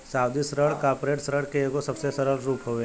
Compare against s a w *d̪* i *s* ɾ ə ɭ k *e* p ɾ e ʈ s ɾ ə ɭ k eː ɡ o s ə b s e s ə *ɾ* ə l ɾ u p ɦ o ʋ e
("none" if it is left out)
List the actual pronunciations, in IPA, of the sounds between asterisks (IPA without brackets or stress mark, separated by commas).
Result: d̪, s, a, ɾ